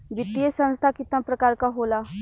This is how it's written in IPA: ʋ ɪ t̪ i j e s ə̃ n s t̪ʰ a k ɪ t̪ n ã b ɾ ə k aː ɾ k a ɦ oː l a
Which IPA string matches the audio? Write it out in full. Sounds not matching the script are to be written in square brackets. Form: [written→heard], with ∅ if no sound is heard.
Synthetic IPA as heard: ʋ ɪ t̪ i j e s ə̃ n s t̪ʰ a k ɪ t̪ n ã [b→p] ɾ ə k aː ɾ k a ɦ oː l a